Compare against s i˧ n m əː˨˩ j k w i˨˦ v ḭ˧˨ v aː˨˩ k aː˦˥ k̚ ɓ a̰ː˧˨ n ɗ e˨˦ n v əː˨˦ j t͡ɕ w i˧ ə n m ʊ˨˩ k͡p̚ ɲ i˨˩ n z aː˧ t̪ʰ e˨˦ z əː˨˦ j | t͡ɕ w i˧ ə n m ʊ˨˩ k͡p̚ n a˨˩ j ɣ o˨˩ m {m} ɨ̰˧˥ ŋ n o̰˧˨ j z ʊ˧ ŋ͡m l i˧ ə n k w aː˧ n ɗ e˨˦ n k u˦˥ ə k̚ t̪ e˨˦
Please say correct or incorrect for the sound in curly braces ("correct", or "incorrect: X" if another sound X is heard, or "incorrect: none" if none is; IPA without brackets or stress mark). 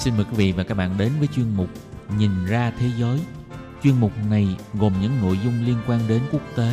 incorrect: ɲ